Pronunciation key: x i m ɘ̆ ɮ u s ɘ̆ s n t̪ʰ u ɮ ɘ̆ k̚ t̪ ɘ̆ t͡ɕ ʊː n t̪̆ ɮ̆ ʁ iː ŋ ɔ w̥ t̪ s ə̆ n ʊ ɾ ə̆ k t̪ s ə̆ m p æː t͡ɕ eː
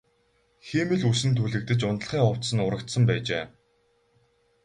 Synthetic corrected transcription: x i m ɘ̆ ɮ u s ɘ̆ n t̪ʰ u ɮ ɘ̆ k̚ t̪ ɘ̆ t͡ɕ ʊ n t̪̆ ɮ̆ χ iː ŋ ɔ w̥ t̪ s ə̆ n ʊ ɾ ə̆ k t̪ s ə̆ m p æː t͡ɕ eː